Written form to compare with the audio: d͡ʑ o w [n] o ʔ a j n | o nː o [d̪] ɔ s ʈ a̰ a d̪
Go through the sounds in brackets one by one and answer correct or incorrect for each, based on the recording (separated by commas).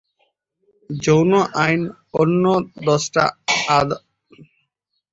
correct, correct